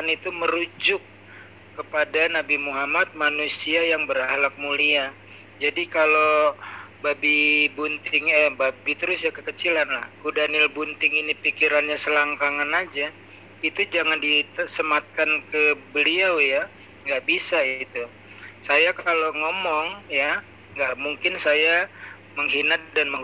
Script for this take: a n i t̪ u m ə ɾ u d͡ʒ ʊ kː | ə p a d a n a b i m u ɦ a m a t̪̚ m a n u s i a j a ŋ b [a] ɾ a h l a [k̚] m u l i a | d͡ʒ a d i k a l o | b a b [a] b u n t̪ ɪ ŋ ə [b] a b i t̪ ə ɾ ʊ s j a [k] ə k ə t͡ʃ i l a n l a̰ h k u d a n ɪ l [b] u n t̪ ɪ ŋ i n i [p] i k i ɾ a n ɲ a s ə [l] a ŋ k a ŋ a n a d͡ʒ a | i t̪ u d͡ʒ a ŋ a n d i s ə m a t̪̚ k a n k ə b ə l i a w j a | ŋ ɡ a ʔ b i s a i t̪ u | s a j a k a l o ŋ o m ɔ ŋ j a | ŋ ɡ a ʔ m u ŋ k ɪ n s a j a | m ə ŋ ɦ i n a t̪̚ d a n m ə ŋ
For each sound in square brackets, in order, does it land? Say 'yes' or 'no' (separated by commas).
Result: no, yes, no, yes, yes, yes, yes, yes